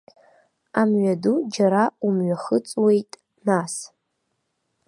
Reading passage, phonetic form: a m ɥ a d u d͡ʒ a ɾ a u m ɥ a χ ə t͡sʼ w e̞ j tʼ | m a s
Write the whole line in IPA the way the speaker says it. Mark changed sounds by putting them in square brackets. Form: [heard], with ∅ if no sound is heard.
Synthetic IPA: a m ɥ a d u d͡ʒ a ɾ a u m ɥ a χ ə t͡sʼ w e̞ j tʼ | [n] a s